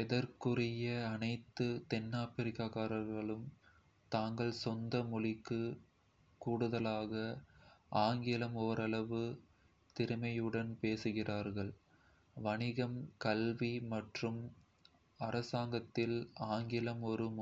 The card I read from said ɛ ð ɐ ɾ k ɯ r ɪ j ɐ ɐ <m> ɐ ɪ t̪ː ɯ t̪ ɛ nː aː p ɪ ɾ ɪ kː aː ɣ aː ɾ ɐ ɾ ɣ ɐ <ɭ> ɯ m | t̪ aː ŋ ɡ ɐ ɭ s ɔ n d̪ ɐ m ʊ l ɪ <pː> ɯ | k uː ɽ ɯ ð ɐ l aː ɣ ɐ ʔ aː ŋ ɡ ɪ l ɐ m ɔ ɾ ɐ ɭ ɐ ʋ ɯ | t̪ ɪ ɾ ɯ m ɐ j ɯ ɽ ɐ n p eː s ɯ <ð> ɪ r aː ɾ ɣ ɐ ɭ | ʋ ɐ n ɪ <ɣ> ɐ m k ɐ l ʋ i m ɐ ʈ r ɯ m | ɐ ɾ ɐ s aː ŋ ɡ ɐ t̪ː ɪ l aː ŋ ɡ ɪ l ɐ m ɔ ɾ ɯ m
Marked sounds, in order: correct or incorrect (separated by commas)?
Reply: incorrect, correct, incorrect, incorrect, correct